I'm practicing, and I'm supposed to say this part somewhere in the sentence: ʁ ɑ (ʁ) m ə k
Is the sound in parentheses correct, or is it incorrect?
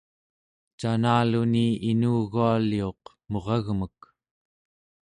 incorrect